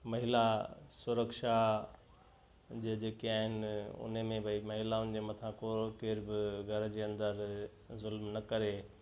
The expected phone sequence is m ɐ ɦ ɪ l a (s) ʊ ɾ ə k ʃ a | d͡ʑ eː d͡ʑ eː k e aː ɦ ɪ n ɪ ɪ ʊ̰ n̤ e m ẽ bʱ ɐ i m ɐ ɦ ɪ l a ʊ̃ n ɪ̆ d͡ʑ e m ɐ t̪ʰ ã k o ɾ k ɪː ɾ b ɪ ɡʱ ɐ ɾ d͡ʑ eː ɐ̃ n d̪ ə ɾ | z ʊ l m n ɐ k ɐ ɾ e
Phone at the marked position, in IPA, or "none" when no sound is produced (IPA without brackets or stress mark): s